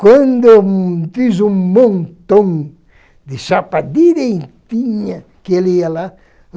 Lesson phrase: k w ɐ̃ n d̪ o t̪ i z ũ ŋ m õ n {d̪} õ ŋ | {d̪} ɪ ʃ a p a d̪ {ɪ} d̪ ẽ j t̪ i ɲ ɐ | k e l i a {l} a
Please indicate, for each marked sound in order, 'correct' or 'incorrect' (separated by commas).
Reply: incorrect, correct, incorrect, correct